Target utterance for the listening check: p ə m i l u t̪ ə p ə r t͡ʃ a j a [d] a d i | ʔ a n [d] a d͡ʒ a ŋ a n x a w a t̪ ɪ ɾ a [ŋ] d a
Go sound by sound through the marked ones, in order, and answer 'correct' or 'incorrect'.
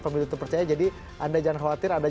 incorrect, correct, incorrect

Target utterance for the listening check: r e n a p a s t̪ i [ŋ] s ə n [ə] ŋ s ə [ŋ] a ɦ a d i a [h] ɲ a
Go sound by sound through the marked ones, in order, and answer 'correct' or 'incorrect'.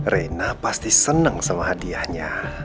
incorrect, correct, incorrect, correct

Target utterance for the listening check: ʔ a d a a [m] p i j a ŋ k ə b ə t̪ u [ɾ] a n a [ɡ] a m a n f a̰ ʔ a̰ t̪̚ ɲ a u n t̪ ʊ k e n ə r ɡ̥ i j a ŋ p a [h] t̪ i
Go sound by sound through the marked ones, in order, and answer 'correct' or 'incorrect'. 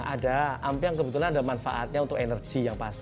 correct, incorrect, incorrect, incorrect

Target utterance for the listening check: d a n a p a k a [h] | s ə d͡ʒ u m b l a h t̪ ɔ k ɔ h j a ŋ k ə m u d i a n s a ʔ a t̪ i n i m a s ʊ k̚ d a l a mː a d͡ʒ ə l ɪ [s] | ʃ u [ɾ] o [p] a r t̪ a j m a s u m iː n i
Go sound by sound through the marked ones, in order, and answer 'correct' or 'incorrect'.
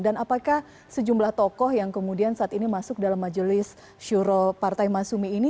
correct, correct, correct, correct

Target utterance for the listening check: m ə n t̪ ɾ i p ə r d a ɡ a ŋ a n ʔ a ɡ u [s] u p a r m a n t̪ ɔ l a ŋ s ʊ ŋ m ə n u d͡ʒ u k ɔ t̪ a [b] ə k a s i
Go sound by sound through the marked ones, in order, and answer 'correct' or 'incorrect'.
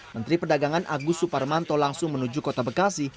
correct, correct

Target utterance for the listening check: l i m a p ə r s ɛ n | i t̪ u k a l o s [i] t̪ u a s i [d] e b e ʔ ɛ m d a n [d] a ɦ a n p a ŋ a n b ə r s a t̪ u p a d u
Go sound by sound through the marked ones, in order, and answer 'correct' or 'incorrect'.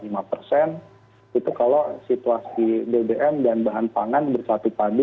correct, correct, incorrect

